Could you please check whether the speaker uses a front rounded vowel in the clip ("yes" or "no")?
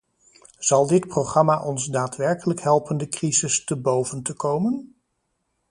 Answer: no